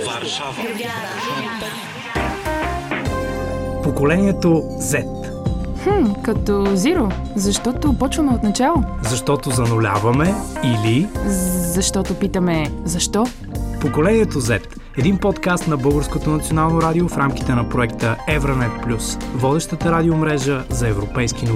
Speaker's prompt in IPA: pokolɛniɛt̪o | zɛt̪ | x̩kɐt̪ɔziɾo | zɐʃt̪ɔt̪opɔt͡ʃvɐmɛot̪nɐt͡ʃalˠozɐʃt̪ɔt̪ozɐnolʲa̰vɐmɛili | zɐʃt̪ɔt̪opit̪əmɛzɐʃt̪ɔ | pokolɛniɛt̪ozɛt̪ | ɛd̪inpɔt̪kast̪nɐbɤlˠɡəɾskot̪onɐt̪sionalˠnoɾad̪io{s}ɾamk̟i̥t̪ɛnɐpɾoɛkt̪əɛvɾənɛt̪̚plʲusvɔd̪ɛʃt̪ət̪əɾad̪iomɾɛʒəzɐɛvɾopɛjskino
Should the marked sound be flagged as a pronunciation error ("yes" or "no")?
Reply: yes